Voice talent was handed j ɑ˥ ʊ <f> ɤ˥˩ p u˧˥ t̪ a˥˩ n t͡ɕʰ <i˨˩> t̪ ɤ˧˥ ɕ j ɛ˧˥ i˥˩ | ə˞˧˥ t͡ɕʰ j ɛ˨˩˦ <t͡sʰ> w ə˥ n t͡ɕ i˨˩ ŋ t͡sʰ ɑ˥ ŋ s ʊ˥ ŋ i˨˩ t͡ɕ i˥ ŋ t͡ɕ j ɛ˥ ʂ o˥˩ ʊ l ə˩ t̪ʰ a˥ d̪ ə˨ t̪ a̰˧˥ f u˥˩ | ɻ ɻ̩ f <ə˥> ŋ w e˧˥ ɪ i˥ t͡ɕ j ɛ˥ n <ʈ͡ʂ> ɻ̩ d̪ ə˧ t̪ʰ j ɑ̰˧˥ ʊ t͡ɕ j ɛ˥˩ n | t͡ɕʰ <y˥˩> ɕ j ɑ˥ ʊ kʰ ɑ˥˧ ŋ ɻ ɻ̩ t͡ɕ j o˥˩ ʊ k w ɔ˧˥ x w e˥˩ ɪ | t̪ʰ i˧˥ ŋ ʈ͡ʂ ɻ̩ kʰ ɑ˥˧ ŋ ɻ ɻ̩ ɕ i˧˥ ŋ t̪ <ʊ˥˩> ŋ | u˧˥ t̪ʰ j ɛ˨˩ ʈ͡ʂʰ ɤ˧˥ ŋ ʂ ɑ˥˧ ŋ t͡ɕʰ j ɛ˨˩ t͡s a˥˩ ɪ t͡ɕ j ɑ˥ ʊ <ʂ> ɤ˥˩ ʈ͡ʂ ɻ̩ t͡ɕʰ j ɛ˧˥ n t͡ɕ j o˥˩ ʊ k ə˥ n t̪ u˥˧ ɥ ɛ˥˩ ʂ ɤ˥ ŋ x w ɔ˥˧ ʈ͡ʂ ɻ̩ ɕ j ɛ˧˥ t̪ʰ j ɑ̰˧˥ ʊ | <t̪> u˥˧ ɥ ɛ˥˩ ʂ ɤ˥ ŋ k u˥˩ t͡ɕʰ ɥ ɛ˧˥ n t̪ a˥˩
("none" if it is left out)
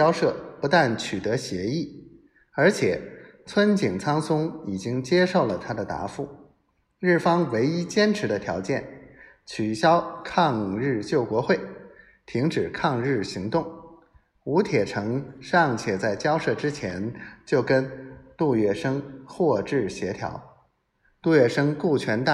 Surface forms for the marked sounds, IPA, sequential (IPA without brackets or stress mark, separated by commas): ʂ, y˨˩, t͡sʰ, ɑ˥, ʈ͡ʂʰ, y˨˩, ʊ˥˩, ʂ, t̪